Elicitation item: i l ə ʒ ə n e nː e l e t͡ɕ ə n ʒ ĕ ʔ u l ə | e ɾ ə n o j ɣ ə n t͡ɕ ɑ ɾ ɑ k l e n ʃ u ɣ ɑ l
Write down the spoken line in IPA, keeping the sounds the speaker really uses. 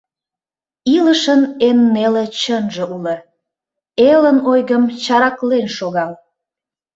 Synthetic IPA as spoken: i l ə ʃ ə n e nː e l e t͡ɕ ə n ʒ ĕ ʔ u l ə | e l ə n o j ɣ ə m t͡ɕ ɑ ɾ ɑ k l e n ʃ o ɣ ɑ l